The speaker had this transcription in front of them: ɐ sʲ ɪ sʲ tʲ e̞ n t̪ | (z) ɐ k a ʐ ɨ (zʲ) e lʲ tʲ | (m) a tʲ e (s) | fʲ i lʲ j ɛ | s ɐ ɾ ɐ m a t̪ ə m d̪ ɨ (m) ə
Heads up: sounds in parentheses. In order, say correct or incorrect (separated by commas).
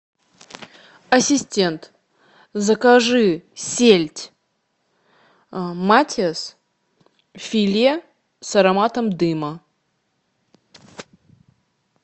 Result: correct, incorrect, correct, correct, correct